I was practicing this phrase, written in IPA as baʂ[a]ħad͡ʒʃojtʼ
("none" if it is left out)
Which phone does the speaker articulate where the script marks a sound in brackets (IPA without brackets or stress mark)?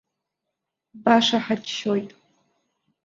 a